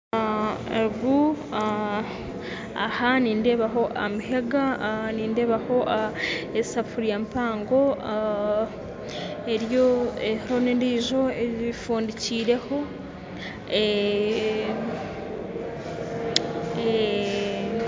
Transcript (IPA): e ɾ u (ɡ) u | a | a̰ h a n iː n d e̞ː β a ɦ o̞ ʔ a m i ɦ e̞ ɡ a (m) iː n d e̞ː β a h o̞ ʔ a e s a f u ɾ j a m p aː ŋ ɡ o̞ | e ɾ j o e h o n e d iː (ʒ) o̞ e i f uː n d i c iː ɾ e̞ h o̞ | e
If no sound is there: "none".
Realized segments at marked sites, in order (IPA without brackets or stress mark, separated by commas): ɡ, n, ʒ